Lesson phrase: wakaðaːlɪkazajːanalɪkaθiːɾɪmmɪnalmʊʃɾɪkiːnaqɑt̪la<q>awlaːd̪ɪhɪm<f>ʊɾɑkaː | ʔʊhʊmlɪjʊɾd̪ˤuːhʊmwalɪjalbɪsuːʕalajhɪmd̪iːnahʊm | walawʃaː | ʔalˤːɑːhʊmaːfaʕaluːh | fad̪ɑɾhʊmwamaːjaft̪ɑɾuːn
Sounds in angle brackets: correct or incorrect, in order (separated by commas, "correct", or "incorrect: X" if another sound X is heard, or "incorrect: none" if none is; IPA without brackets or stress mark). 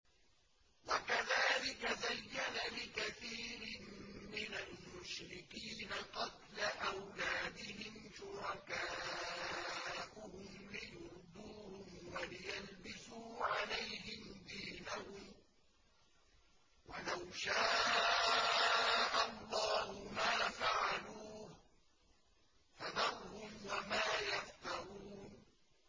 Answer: incorrect: ʔ, incorrect: ʃ